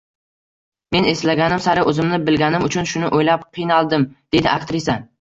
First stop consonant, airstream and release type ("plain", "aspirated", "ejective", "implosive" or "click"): plain